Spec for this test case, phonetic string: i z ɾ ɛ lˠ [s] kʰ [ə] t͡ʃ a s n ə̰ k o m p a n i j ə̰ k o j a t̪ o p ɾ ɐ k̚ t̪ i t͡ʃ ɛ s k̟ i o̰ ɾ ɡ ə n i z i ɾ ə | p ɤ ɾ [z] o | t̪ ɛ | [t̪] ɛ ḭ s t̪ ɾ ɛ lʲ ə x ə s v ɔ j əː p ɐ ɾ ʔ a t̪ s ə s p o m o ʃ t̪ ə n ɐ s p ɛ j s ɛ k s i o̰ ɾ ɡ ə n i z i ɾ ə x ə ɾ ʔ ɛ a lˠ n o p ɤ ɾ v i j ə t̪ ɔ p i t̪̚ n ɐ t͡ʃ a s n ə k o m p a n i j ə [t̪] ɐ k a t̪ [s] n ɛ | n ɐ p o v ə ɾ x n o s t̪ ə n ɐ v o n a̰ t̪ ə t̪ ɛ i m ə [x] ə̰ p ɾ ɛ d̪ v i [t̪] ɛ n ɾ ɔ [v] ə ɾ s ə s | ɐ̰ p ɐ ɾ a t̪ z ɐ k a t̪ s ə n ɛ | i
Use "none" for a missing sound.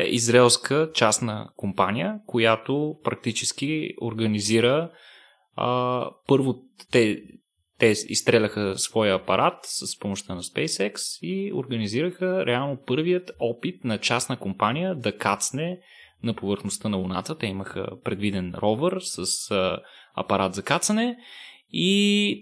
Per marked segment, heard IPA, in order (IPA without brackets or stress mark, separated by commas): s, ə, v, t̪, d̪, s, x, d̪, v